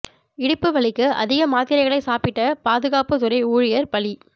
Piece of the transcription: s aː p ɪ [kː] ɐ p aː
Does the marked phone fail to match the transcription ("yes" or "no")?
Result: yes